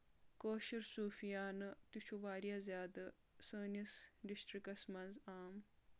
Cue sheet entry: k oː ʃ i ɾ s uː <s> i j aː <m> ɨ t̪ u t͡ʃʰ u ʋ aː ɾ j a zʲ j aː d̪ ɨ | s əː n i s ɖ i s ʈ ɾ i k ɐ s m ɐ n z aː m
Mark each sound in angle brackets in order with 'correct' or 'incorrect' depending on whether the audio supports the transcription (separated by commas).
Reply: incorrect, incorrect